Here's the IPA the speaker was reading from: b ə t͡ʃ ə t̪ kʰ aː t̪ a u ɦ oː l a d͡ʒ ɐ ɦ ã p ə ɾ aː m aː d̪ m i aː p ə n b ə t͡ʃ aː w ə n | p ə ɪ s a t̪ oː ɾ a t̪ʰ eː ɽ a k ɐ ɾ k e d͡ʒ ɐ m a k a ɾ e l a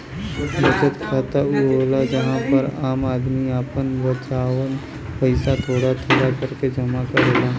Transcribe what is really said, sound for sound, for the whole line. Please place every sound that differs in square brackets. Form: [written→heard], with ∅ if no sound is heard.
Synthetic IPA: b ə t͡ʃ ə t̪ kʰ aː t̪ a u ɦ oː l a d͡ʒ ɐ ɦ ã p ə ɾ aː m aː d̪ m i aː p ə n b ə t͡ʃ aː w ə n | p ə ɪ s a [t̪→t̪ʰ] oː [ɾ→ɽ] a t̪ʰ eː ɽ a k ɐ ɾ k e d͡ʒ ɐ m a k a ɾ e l a